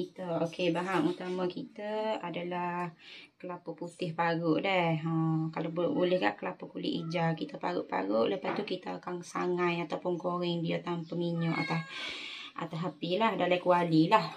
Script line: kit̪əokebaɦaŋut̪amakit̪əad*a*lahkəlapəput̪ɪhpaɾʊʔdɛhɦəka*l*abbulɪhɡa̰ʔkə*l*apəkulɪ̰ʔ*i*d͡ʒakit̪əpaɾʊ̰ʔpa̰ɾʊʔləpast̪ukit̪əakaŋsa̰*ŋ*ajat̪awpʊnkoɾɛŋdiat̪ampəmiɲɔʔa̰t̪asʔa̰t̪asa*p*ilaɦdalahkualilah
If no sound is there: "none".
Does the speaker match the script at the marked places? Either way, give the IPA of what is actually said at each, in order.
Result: a, l, l, i, ŋ, p

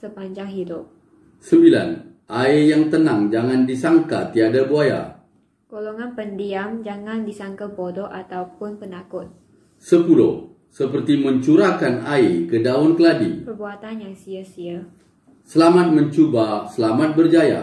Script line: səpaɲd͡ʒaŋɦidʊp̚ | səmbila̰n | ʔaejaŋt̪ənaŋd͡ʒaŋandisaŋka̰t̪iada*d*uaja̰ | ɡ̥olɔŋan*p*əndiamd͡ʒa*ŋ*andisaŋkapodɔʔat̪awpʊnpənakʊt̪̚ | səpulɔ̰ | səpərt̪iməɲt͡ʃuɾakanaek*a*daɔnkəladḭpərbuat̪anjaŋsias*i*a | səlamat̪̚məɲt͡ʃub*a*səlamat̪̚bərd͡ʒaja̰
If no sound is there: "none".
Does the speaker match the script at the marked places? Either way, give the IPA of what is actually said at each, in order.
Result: b, p, ŋ, ə, i, a

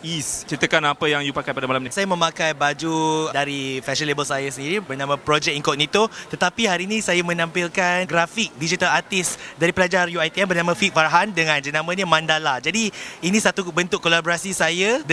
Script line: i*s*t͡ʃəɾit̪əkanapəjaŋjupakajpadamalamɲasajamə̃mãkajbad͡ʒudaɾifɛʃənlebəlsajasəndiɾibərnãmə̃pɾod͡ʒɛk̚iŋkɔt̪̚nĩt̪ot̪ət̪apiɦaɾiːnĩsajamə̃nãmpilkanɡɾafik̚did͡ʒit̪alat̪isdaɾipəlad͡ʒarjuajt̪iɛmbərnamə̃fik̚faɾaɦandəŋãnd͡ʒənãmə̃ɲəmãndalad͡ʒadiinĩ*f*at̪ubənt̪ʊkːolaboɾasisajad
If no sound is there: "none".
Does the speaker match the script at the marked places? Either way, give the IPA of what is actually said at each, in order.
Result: s, s

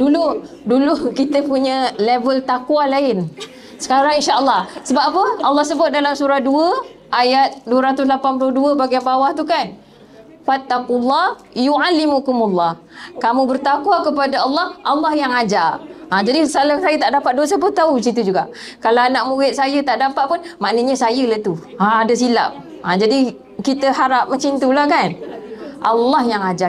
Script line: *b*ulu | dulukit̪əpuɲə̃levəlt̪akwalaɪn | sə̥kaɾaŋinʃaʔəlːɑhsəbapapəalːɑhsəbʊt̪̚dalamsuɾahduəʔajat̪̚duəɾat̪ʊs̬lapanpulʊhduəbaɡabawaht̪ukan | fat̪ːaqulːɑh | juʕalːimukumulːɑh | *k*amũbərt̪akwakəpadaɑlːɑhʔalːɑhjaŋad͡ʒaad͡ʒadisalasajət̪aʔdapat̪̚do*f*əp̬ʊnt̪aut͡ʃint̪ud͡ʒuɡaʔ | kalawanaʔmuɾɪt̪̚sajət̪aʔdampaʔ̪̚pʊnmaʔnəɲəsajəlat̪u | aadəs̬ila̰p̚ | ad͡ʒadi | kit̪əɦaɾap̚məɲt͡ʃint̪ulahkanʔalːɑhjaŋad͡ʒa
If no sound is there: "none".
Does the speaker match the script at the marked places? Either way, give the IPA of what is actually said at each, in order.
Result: d, k, s

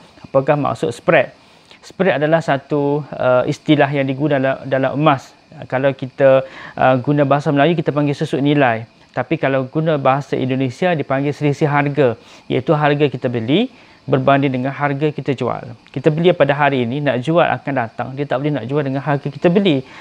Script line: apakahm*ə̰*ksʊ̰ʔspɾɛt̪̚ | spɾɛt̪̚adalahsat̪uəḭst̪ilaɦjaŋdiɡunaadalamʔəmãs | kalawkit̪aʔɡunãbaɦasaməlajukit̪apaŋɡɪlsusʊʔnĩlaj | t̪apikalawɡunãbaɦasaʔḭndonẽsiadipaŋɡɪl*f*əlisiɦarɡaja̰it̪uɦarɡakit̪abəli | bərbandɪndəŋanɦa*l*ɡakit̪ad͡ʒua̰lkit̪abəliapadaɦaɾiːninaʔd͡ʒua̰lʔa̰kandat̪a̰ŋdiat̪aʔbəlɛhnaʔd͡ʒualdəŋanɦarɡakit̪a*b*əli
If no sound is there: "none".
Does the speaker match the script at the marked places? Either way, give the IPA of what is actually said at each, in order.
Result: a̰, s, r, b

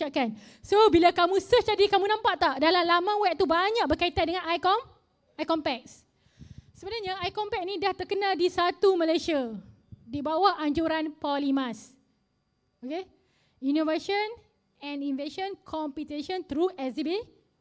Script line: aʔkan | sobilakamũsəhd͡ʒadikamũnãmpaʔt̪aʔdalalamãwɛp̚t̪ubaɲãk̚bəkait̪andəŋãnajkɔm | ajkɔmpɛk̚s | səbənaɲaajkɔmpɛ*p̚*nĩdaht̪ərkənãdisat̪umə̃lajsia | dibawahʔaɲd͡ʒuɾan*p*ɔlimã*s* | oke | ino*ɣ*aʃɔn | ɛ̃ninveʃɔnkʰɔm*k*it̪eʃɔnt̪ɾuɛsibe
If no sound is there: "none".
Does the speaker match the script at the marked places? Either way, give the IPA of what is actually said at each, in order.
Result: k̚, p, s, v, p

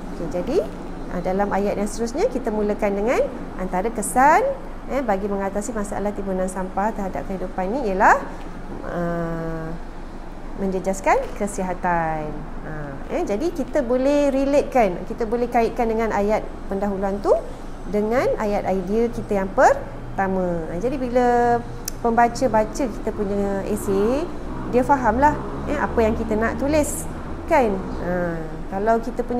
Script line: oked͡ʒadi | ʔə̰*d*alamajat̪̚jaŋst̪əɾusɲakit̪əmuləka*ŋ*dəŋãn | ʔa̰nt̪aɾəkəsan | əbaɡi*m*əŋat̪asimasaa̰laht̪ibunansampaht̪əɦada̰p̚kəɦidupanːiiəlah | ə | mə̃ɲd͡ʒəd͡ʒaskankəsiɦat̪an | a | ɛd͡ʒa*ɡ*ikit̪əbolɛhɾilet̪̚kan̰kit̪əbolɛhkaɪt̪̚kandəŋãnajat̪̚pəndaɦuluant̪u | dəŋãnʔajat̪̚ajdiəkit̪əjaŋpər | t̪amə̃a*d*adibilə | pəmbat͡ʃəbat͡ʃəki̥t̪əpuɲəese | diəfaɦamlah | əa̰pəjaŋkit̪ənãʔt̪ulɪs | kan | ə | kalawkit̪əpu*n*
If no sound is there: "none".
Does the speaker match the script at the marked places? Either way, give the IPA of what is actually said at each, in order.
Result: d, n, m, d, d͡ʒ, ɲ

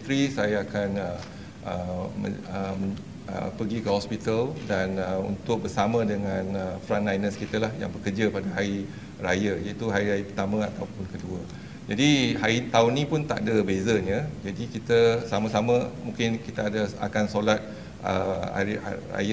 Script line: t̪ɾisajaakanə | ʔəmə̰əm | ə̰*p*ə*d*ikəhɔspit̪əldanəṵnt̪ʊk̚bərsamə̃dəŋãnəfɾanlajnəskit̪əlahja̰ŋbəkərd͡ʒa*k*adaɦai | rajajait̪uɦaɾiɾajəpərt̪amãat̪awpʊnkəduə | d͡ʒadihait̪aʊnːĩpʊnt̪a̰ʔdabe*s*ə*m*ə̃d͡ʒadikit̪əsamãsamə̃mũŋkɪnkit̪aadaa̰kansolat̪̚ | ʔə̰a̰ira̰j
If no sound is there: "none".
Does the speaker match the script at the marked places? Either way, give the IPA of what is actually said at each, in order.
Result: p, ɡ, p, z, ɲ

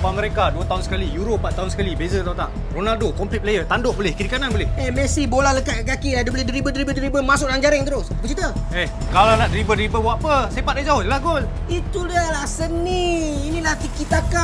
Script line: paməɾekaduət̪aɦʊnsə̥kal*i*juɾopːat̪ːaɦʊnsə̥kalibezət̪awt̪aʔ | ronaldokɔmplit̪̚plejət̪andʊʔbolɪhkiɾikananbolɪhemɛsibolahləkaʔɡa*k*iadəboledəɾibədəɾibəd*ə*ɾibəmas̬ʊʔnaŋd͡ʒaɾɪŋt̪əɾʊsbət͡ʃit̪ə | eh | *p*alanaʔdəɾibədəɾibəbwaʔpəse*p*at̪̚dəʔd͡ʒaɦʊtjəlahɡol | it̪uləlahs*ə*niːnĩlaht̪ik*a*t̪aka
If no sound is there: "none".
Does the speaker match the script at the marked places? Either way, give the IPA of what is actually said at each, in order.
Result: i, k, ə, k, p, ə, i

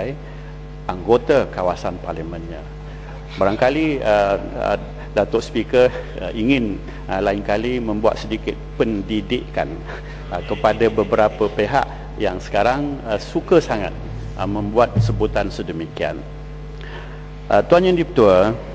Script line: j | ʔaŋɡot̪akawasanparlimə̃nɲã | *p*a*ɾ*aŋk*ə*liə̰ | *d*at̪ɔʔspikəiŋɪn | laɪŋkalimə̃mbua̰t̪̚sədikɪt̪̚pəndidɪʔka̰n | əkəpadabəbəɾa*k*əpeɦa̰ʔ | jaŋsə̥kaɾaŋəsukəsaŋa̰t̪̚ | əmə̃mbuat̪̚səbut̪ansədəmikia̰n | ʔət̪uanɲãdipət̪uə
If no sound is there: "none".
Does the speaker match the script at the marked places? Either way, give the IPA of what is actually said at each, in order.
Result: b, ɾ, a, d, p

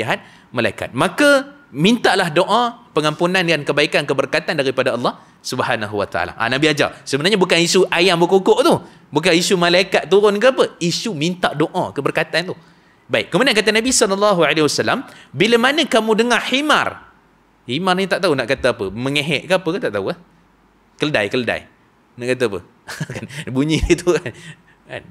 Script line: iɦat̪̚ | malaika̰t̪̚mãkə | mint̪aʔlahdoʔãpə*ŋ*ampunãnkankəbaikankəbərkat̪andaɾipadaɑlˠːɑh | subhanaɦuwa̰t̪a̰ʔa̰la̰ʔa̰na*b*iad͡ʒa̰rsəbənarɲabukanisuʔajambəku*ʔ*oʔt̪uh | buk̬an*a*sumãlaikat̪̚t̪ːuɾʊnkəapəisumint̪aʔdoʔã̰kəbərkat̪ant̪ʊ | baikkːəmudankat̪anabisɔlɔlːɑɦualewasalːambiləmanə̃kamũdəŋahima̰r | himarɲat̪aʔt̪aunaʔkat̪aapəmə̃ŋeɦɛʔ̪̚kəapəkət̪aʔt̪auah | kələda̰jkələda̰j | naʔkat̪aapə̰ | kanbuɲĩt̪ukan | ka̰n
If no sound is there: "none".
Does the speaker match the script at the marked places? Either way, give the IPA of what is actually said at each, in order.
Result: ŋ, b, k, i

